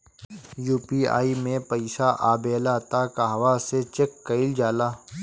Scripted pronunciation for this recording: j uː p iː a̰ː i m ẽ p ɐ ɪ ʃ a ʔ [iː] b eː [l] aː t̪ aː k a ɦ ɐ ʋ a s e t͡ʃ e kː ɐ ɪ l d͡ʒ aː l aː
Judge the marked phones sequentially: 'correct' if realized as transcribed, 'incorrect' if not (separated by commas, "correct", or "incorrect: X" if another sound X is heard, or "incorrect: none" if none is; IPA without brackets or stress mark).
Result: incorrect: aː, correct